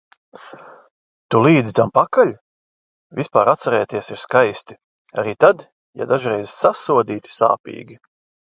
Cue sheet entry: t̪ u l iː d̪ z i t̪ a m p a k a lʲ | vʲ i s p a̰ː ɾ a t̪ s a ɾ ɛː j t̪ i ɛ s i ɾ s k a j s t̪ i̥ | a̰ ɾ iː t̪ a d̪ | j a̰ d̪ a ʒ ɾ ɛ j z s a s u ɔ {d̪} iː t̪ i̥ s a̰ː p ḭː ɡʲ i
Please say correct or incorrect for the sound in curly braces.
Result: correct